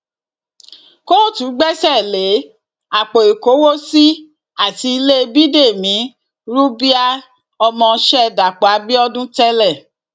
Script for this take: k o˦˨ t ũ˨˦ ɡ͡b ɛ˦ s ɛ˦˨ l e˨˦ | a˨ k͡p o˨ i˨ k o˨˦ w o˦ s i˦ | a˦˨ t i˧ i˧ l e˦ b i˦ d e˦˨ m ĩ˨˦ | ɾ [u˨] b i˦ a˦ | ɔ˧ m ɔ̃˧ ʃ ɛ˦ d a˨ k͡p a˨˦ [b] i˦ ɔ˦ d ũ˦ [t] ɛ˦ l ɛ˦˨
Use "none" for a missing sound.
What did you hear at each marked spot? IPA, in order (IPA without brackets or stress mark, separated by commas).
u˦, b, t